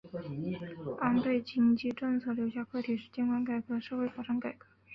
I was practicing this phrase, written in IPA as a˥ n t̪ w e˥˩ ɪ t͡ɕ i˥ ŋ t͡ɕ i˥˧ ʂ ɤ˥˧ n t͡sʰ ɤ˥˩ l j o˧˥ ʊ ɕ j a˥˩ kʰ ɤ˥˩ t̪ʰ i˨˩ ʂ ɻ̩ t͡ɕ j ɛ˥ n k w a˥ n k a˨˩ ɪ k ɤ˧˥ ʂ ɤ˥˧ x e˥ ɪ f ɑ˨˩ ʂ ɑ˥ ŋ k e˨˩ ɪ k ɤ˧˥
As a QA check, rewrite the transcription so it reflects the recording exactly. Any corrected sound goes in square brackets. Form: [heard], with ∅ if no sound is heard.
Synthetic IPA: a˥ n t̪ w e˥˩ ɪ t͡ɕ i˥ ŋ t͡ɕ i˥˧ [ʈ͡ʂ] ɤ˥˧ [ŋ] t͡sʰ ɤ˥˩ l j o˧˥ ʊ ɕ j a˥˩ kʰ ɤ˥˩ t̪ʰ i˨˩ ʂ ɻ̩ t͡ɕ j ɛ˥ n k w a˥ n k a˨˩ ɪ k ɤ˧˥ ʂ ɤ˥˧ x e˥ ɪ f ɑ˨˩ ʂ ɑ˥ ŋ k [a˨˩] ɪ k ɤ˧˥